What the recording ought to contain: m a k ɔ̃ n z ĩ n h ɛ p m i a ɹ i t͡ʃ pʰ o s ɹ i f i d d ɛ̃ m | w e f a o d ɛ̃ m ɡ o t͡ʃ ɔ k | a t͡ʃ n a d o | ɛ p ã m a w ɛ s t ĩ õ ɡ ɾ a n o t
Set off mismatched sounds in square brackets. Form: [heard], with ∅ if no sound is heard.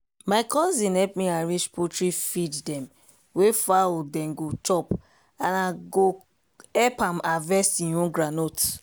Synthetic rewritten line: m a k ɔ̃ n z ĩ n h ɛ p m i a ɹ i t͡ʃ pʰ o [t] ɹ i f i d d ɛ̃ m | w e f a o d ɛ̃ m ɡ o t͡ʃ ɔ [p] | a [∅] n a [ɡ] o | ɛ p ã m a [v] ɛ s t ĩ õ ɡ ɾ a n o t